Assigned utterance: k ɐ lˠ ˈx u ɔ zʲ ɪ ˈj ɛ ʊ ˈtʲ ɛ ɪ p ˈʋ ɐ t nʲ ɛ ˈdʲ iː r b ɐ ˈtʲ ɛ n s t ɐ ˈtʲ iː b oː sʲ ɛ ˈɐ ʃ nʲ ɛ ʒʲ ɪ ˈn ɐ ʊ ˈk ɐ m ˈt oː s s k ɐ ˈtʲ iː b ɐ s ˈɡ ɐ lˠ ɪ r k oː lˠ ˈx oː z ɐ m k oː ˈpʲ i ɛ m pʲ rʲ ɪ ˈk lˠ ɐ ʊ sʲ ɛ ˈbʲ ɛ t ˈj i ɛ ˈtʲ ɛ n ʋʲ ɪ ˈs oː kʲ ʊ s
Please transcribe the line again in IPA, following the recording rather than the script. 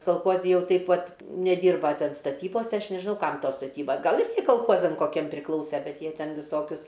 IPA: k ɐ lˠ ˈx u ɔ zʲ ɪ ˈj ɛ ʊ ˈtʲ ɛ ɪ p ˈʋ ɐ t nʲ ɛ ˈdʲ iː r b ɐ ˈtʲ ɛ n s t ɐ ˈtʲ iː b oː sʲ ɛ ˈɐ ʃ nʲ ɛ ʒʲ ɪ ˈn ɐ ʊ ˈk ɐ m ˈt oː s s t ɐ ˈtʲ iː b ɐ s ˈɡ ɐ lˠ ɪ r k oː lˠ ˈx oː z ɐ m k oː ˈkʲ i ɛ m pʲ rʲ ɪ ˈk lˠ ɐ ʊ sʲ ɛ ˈbʲ ɛ t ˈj i ɛ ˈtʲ ɛ n ʋʲ ɪ ˈs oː kʲ ʊ s

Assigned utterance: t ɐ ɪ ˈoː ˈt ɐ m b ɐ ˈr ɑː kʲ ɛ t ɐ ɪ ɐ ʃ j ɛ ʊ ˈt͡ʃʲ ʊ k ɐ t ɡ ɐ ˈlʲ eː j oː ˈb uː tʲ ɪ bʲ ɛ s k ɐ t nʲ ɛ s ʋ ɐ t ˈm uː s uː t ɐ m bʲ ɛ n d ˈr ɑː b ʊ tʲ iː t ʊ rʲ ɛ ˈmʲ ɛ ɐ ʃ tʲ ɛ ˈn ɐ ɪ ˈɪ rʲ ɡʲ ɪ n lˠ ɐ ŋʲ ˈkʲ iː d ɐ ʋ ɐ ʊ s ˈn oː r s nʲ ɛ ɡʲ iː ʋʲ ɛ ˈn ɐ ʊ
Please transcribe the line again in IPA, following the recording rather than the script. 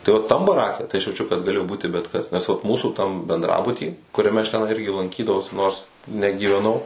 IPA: t ɐ ɪ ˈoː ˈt ɐ m b ɐ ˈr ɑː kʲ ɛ t ɐ ɪ ɐ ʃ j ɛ ʊ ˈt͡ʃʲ ʊ k ɐ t ɡ ɐ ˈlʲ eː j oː ˈb uː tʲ ɪ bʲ ɛ t k ɐ s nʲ ɛ s ʋ ɐ t ˈm uː s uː t ɐ m bʲ ɛ n d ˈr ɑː b ʊ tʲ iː k ʊ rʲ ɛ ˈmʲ ɛ ɐ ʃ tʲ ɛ ˈn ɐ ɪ ˈɪ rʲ ɡʲ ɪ lˠ ɐ ŋʲ ˈkʲ iː d ɐ ʋ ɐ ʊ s ˈn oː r s nʲ ɛ ɡʲ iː ʋʲ ɛ ˈn ɐ ʊ

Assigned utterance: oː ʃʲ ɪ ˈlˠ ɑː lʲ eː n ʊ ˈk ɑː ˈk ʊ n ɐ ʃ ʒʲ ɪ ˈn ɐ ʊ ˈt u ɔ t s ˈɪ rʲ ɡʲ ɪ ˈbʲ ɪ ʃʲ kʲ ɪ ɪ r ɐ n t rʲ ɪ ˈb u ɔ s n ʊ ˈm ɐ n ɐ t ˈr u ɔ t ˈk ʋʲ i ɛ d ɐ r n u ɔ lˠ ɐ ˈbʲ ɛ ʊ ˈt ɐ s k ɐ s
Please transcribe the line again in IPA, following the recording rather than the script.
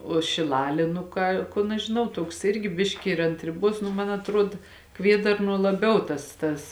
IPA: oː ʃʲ ɪ ˈlˠ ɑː lʲ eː n ʊ ˈk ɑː ˈk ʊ n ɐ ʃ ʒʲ ɪ ˈn ɐ ʊ ˈt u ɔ k s ˈɪ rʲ ɡʲ ɪ ˈbʲ ɪ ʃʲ kʲ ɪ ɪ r ɐ n t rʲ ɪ ˈb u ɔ s n ʊ ˈm ɐ n ɐ t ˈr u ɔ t ˈk ʋʲ i ɛ d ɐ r n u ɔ lˠ ɐ ˈbʲ ɛ ʊ ˈt ɐ s t ɐ s

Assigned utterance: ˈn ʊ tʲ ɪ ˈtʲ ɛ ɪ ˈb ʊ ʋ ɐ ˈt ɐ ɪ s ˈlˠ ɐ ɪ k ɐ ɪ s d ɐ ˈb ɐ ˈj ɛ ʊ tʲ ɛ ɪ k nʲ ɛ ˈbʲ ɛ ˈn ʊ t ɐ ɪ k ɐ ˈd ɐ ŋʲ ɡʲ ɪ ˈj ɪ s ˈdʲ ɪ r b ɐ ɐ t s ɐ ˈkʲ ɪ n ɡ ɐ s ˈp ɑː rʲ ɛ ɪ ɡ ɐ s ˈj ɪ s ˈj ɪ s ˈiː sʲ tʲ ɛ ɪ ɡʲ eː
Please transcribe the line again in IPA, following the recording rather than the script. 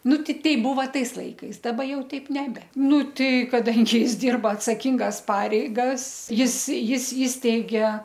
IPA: ˈn ʊ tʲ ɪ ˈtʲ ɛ ɪ ˈb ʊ ʋ ɐ ˈt ɐ ɪ s ˈlˠ ɐ ɪ k ɐ ɪ s d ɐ ˈb ɐ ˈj ɛ ʊ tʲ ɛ ɪ p nʲ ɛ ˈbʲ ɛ ˈn ʊ t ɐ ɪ k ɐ ˈd ɐ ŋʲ ɡʲ ɪ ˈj ɪ s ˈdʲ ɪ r b ɐ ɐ t s ɐ ˈkʲ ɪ ŋ ɡ ɐ s ˈp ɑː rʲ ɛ ɪ ɡ ɐ s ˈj ɪ s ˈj ɪ s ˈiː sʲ tʲ ɛ ɪ ɡʲ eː

